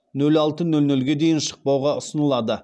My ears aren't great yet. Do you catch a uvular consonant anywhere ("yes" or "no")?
yes